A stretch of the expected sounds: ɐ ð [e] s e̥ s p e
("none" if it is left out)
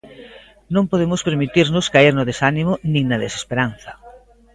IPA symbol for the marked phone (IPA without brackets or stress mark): e